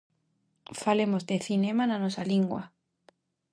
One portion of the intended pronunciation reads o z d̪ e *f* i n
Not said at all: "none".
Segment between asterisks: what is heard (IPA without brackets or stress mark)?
θ